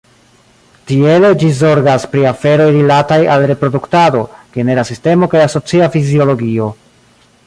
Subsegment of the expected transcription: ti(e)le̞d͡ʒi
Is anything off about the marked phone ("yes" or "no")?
no